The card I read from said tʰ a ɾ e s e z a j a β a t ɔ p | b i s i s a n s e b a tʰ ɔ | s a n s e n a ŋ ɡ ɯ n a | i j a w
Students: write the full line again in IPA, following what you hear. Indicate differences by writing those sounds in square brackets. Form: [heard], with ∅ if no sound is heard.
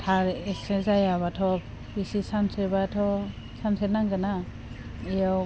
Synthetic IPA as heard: tʰ a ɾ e s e z a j a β a [tʰ] ɔ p | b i s i s a n s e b a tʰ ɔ | s a n s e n a ŋ ɡ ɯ n a | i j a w